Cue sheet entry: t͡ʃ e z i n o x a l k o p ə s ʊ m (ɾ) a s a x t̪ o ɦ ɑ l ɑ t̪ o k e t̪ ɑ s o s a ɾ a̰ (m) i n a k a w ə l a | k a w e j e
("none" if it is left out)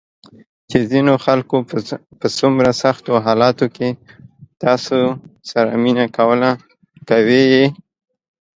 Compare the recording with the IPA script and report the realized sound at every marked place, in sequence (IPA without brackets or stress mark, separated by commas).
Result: ɾ, m